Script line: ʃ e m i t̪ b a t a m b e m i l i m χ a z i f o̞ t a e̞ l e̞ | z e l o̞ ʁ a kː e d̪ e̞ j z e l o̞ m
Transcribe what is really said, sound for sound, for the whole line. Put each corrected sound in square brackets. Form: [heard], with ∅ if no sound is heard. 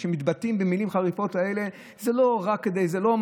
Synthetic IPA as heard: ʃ e m i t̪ b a t [i] m b e m i l i m χ a [ʁ] i f o̞ t a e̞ l e̞ | z e l o̞ ʁ a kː e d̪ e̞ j z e l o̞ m